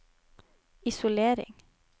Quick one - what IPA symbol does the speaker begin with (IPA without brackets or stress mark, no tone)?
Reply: ɪ